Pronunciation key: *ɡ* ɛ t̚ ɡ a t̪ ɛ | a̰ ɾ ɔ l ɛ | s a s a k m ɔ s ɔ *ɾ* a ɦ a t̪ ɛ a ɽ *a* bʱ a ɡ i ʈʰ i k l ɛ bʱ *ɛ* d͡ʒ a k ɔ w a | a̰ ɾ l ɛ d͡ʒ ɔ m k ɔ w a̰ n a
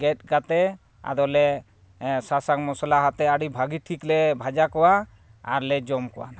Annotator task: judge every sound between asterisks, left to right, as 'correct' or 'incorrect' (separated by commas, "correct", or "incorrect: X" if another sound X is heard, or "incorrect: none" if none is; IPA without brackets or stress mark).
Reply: correct, incorrect: l, incorrect: i, incorrect: a